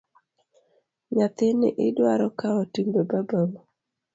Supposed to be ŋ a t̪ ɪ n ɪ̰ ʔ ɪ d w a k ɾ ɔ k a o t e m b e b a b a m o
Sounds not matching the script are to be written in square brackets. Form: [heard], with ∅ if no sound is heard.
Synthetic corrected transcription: [ɲ] a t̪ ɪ n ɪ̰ ʔ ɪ d w a [∅] ɾ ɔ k a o t [i] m b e b a b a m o